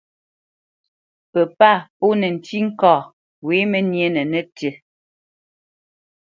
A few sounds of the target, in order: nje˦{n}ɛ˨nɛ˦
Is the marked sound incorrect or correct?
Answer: correct